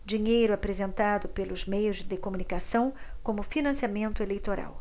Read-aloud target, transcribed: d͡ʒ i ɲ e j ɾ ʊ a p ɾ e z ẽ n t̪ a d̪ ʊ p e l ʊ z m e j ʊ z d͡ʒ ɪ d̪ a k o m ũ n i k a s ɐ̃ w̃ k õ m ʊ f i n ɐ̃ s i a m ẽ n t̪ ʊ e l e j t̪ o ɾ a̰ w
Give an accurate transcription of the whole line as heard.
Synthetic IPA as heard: d͡ʒ i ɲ e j ɾ ʊ a p ɾ e z ẽ n t̪ a d̪ ʊ p e l ʊ z m e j ʊ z d͡ʒ ɪ d̪ e k o m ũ n i k a s ɐ̃ w̃ k õ m ʊ f i n ɐ̃ s i a m ẽ n t̪ ʊ e l e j t̪ o ɾ a̰ w